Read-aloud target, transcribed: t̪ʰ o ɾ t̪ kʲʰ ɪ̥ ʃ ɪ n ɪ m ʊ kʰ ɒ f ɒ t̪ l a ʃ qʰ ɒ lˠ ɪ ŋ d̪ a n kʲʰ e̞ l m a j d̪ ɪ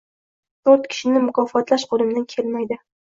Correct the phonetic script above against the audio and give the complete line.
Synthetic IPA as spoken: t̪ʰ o ɾ t̪ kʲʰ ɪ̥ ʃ ɪ n ɪ m ʊ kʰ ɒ f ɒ t̪ l a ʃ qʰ o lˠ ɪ m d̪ a n kʲʰ e̞ l m a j d̪ ɪ